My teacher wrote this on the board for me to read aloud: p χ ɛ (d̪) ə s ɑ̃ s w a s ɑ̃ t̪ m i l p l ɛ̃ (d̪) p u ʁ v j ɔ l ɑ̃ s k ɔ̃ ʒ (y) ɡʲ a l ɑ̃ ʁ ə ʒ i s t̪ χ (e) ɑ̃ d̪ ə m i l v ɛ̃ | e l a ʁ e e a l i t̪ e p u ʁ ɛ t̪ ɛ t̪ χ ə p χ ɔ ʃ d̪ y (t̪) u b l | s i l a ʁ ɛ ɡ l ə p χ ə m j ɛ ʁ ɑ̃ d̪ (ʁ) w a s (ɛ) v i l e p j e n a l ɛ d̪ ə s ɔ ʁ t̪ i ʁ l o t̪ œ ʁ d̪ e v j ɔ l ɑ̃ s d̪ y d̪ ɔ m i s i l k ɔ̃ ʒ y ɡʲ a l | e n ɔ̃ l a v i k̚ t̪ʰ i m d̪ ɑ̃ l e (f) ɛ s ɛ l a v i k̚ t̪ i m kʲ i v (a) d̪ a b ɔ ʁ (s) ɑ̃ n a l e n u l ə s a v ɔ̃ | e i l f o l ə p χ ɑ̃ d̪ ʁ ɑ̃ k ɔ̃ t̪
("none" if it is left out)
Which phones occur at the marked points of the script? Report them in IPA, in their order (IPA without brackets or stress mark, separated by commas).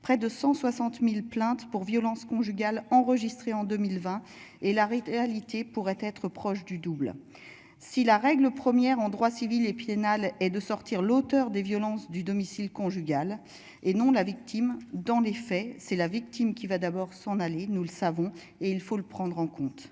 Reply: d̪, t̪, y, e, d̪, ʁ, i, f, a, s